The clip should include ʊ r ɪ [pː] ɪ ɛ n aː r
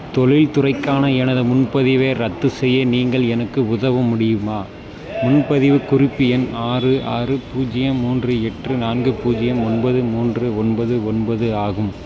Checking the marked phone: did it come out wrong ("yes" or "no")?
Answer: no